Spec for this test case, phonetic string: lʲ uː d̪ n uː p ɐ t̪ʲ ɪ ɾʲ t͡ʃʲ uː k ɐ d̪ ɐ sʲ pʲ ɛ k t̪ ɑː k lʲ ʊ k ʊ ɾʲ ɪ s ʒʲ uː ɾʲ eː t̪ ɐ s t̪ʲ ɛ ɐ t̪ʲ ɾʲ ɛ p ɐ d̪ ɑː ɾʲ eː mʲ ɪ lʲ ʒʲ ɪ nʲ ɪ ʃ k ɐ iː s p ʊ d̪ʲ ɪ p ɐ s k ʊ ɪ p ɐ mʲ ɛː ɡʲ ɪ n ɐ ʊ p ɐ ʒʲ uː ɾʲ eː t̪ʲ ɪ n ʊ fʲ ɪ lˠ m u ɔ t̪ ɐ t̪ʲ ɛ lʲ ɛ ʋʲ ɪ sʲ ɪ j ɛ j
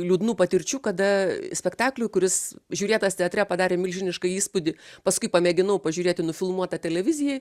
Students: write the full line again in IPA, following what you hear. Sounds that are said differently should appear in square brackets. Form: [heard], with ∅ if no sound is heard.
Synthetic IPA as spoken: lʲ uː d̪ n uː p ɐ t̪ʲ ɪ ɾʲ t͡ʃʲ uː k ɐ d̪ ɐ sʲ pʲ ɛ k t̪ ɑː k lʲ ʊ k ʊ ɾʲ ɪ s ʒʲ uː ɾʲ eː t̪ ɐ s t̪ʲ ɛ ɐ t̪ʲ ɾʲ ɛ p ɐ d̪ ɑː ɾʲ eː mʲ ɪ lʲ ʒʲ ɪ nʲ ɪ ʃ k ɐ iː s p ʊ d̪ʲ ɪ p ɐ s k ʊ ɪ p ɐ mʲ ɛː ɡʲ ɪ n ɐ ʊ p ɐ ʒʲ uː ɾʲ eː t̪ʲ ɪ n ʊ fʲ ɪ lˠ m u ɔ t̪ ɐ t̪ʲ ɛ lʲ ɛ ʋʲ ɪ [zʲ] ɪ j ɛ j

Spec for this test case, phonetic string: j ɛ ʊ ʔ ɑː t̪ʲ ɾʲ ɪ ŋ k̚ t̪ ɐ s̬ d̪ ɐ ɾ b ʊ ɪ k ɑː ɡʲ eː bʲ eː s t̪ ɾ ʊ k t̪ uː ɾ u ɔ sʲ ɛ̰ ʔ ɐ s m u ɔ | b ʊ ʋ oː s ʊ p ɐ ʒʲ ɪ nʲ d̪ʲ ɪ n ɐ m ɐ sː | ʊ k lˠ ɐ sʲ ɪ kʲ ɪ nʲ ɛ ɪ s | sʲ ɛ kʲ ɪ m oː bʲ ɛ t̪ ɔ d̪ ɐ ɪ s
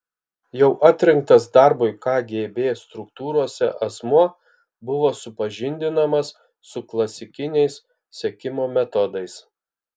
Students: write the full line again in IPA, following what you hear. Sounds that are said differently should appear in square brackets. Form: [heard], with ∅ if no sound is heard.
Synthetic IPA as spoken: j ɛ ʊ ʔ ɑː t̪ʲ ɾʲ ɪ ŋ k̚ t̪ ɐ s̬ d̪ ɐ ɾ b ʊ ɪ k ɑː ɡʲ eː bʲ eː s t̪ ɾ ʊ k t̪ uː ɾ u ɔ sʲ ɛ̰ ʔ ɐ s m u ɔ | b ʊ ʋ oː s ʊ p ɐ ʒʲ ɪ nʲ d̪ʲ ɪ n ɐ m ɐ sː | ʊ k lˠ ɐ sʲ ɪ kʲ ɪ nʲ ɛ ɪ s | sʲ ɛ kʲ ɪ m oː [mʲ] ɛ t̪ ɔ d̪ ɐ ɪ s

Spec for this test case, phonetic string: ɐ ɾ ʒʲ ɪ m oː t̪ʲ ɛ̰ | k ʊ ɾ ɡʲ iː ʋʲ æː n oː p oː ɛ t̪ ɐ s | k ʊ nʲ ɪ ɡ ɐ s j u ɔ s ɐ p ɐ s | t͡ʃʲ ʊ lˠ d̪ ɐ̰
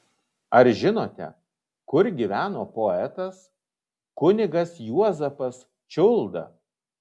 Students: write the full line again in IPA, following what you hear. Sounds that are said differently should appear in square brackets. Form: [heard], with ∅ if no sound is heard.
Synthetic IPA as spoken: ɐ ɾ ʒʲ ɪ [n] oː t̪ʲ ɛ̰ | k ʊ ɾ ɡʲ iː ʋʲ æː n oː p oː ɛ t̪ ɐ s | k ʊ nʲ ɪ ɡ ɐ s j u ɔ [z] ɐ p ɐ s | t͡ʃʲ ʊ lˠ d̪ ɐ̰

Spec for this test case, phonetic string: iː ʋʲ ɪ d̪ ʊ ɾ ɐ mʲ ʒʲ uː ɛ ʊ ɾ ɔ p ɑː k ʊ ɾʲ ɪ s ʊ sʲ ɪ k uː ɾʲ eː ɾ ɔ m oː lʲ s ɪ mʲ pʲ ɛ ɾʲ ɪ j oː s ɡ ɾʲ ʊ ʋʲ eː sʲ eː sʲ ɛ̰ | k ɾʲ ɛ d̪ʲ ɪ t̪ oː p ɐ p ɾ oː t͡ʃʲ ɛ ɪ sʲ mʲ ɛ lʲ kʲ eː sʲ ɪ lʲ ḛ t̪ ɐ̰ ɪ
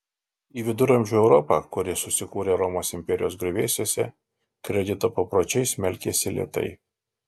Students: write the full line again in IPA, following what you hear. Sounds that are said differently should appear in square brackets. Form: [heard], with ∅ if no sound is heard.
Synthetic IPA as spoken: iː ʋʲ ɪ d̪ ʊ ɾ ɐ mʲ ʒʲ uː ɛ ʊ ɾ ɔ p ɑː k ʊ ɾʲ ɪ s ʊ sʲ ɪ k uː ɾʲ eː ɾ ɔ m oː [∅] s ɪ mʲ pʲ ɛ ɾʲ ɪ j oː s ɡ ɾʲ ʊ ʋʲ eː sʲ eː sʲ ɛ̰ | k ɾʲ ɛ d̪ʲ ɪ t̪ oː p ɐ p ɾ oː t͡ʃʲ ɛ ɪ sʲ mʲ ɛ lʲ kʲ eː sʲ ɪ lʲ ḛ t̪ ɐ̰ ɪ

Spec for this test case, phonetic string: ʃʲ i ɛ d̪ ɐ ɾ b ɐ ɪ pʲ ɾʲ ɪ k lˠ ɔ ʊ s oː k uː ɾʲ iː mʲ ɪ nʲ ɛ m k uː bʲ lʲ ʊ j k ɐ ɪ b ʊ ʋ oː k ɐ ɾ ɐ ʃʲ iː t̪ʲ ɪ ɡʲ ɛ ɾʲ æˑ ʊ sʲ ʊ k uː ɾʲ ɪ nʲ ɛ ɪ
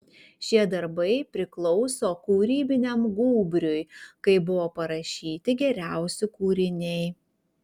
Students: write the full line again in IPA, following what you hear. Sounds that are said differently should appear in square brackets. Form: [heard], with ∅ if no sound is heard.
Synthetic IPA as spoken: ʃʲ i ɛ d̪ ɐ ɾ b ɐ ɪ pʲ ɾʲ ɪ k lˠ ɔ ʊ s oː k uː ɾʲ iː [bʲ] ɪ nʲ ɛ m [ɡ] uː bʲ [ɾʲ] ʊ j k ɐ ɪ b ʊ ʋ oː [p] ɐ ɾ ɐ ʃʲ iː t̪ʲ ɪ ɡʲ ɛ ɾʲ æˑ ʊ sʲ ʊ k uː ɾʲ ɪ nʲ ɛ ɪ

